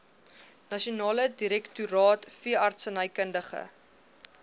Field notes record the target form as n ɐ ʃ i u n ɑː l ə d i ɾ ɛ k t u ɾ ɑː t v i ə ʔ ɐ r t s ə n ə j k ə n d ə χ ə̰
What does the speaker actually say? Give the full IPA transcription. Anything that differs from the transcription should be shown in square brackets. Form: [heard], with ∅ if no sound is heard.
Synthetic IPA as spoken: n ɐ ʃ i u n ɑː l ə d i ɾ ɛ k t u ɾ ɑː t [f] i ə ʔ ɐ r t s ə n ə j k ə n d ə χ ə̰